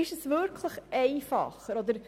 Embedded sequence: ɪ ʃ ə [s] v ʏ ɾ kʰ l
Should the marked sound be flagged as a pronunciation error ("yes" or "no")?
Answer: no